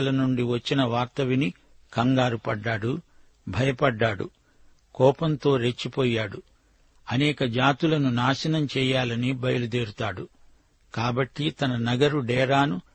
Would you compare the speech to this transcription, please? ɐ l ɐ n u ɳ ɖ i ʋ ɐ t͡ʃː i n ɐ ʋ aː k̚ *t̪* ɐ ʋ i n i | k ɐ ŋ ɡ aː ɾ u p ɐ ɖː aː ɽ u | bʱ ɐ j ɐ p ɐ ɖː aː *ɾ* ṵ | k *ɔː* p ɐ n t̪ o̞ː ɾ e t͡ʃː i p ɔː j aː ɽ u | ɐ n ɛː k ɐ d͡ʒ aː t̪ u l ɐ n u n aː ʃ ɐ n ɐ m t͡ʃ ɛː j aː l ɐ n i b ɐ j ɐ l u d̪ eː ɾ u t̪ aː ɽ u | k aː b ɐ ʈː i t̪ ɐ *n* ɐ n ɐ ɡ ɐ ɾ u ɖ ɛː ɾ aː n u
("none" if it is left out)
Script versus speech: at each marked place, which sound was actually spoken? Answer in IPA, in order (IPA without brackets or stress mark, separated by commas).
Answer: t̪, ɽ, ɔː, n